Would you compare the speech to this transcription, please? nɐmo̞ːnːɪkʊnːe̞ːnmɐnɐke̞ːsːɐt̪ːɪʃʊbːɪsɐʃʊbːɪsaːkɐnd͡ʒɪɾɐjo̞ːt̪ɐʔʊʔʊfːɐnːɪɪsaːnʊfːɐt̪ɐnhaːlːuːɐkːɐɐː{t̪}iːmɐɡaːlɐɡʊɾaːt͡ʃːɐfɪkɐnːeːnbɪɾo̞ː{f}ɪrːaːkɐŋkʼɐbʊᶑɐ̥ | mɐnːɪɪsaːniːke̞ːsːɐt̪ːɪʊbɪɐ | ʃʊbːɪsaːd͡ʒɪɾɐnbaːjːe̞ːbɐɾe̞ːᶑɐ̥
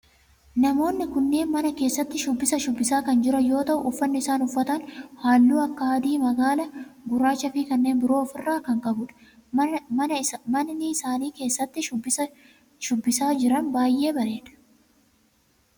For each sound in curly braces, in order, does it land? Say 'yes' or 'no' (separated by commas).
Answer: no, yes